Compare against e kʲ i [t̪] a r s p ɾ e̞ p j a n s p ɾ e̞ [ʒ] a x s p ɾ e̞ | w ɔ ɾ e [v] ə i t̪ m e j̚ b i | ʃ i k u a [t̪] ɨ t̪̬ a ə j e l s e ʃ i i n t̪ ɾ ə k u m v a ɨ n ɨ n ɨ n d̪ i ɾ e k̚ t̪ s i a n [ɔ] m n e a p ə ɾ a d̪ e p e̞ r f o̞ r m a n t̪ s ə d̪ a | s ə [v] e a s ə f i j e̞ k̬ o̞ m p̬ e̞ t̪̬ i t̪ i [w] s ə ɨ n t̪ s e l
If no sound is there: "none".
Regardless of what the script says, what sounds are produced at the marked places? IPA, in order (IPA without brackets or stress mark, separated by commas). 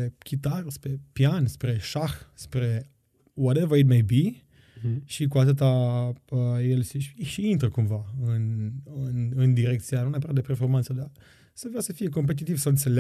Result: t̪, ʃ, v, t̪, u, v, v